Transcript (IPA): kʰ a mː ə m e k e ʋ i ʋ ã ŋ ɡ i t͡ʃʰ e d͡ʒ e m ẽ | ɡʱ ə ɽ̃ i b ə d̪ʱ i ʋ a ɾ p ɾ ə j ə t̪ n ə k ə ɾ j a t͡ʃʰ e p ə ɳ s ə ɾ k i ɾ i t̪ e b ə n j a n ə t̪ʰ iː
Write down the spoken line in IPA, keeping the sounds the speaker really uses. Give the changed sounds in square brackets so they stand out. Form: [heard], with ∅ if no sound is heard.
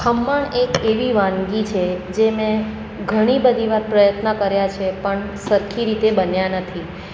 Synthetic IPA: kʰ [ə] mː ə [ɳ] e k e ʋ i ʋ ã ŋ ɡ i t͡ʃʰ e d͡ʒ e m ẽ | ɡʱ ə ɽ̃ i b ə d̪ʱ i ʋ a ɾ p ɾ ə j ə t̪ n ə k ə ɾ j a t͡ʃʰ e p ə ɳ s ə ɾ [kʰ] i ɾ i t̪ e b ə n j a n ə t̪ʰ [i]

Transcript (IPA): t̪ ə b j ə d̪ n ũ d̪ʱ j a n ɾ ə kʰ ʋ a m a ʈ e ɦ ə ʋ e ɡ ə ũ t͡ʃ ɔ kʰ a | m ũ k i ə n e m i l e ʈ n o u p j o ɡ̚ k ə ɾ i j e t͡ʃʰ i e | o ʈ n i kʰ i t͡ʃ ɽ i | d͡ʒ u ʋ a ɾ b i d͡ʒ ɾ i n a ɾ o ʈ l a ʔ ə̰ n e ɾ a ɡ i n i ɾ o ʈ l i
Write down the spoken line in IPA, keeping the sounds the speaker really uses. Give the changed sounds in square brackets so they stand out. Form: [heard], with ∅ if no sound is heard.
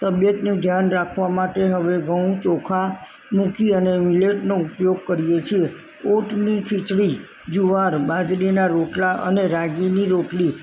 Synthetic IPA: t̪ ə b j ə [t̪] n ũ d̪ʱ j a n ɾ [a] kʰ ʋ a m a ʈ e ɦ ə ʋ e ɡ ə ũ t͡ʃ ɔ kʰ a | m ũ k i ə n e m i l e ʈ n o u p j o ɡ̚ k ə ɾ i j e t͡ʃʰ i e | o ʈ n i kʰ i t͡ʃ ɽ i | d͡ʒ u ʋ a ɾ b [a] d͡ʒ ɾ i n a ɾ o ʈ l a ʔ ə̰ n e ɾ a ɡ i n i ɾ o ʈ l i

